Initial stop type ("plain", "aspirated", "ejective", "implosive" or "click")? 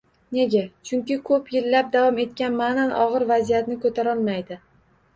plain